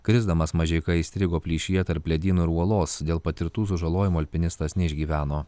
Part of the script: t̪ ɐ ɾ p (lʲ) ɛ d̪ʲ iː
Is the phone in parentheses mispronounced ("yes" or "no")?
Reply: no